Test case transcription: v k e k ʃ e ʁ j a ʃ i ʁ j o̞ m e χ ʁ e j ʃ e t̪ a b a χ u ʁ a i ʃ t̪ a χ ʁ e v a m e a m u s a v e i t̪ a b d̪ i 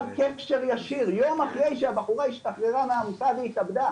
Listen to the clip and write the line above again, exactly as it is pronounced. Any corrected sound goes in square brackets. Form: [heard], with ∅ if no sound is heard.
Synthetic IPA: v k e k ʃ e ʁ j a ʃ i ʁ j o̞ m [a] χ ʁ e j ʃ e [∅] a b a χ u ʁ a i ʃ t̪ a χ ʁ e [ʁ] a m e a m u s a v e i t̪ a b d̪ [a]